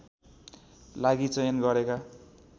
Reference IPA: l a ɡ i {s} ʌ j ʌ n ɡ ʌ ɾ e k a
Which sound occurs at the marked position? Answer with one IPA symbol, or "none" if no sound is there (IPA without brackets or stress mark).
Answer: t͡s